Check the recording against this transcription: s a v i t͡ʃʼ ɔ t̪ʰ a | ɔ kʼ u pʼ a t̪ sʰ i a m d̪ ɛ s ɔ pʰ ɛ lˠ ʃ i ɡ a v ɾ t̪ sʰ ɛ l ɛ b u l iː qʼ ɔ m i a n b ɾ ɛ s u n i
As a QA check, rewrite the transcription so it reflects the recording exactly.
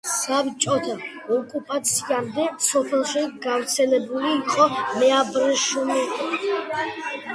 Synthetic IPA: s a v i t͡ʃʼ ɔ t̪ʰ a | ɔ kʼ u pʼ a t̪ sʰ i a m d̪ ɛ s ɔ pʰ ɛ lˠ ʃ i ɡ a v ɾ t̪ sʰ ɛ l ɛ b u l iː qʼ ɔ m ɛ a b ɾ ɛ ʃ u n i